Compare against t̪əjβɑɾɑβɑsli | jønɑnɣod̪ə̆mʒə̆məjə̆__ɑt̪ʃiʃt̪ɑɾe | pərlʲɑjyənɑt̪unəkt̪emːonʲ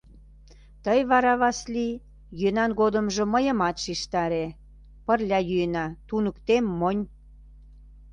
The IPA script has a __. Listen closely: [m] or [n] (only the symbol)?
m